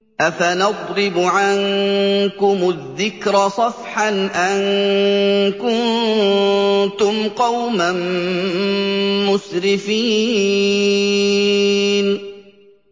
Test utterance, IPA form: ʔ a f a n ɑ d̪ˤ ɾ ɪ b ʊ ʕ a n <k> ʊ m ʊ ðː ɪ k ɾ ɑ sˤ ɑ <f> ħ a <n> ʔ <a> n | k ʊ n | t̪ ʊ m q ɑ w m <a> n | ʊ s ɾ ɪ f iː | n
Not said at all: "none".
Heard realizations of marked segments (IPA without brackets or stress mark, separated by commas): k, f, n, a, a